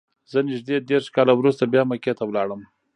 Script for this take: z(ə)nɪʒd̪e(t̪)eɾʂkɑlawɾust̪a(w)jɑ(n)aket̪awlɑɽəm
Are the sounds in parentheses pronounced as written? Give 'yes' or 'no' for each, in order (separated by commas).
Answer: yes, no, no, no